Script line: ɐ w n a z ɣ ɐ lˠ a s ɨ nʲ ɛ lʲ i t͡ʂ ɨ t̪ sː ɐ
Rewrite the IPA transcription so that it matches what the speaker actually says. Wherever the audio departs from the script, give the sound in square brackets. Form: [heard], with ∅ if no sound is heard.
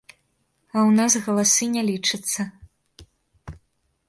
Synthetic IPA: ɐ w n a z ɣ ɐ lˠ a s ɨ nʲ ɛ lʲ i t͡ʂ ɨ t̪ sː ɐ